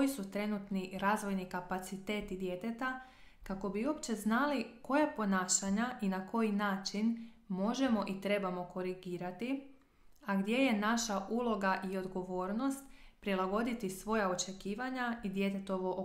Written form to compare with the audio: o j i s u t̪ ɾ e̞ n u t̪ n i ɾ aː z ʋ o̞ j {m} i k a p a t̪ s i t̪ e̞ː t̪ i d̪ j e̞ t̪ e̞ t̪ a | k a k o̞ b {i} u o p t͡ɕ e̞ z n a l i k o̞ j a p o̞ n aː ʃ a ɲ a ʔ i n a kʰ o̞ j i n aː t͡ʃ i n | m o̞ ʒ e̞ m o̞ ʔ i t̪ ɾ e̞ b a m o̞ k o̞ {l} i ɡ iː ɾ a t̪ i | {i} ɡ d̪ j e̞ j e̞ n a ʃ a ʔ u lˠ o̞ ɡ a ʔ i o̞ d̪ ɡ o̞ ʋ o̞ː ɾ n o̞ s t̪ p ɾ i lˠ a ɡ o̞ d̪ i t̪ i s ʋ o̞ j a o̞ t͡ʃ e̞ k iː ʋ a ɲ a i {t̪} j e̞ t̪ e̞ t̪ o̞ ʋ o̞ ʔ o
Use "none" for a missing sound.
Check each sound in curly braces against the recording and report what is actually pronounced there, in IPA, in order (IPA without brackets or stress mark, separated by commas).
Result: n, i, ɾ, a, d̪